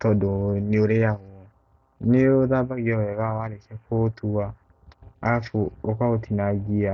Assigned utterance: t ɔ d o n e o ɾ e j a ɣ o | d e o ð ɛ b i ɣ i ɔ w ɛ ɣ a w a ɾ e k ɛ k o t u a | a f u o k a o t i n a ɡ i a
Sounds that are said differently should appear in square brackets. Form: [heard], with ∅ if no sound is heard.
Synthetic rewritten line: t ɔ d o n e o ɾ e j a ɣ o | [n] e o ð [a] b [a] ɣ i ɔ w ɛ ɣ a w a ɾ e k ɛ k o t u a | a f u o k a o t i n a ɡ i a